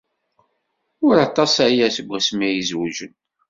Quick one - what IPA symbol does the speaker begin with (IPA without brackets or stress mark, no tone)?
ʊ